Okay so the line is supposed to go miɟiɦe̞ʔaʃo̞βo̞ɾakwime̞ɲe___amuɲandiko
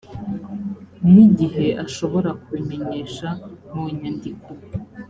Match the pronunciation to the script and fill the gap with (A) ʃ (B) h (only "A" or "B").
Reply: A